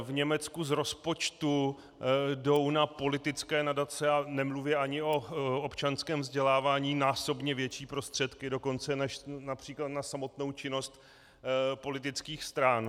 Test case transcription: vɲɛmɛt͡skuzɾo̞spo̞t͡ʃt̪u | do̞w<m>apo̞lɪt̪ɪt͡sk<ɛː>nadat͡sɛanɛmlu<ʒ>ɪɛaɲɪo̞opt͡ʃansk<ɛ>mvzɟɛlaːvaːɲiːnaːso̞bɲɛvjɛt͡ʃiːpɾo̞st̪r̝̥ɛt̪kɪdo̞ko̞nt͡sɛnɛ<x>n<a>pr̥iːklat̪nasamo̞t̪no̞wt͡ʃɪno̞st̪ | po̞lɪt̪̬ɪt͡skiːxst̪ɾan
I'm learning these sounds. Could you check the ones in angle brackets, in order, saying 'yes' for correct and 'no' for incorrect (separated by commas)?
no, yes, no, no, no, yes